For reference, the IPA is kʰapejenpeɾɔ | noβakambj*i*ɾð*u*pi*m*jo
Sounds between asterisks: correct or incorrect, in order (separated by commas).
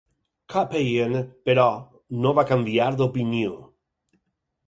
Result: incorrect, incorrect, incorrect